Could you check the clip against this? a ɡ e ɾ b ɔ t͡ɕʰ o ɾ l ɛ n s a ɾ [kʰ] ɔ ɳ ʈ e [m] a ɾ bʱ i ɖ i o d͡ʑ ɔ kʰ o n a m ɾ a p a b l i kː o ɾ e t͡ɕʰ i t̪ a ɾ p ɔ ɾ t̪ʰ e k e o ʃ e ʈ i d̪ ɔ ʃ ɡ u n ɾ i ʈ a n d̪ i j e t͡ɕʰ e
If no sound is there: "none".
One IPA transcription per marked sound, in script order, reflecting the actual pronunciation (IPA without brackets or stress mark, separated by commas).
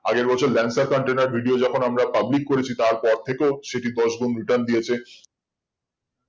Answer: k, n